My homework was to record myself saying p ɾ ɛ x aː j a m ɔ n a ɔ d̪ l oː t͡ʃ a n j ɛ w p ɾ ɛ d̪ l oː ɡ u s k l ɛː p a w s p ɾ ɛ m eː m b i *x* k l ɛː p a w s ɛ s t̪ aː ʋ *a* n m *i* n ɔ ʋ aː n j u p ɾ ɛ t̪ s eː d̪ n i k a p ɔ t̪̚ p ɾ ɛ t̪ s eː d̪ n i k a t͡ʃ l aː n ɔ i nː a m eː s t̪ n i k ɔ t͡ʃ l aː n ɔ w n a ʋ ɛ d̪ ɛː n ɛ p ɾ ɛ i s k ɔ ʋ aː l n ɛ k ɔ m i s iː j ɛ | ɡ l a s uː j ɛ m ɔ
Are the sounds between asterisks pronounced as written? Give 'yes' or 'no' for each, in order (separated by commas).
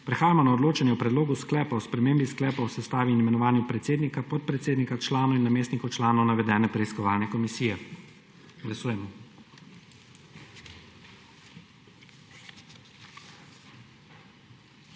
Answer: no, no, no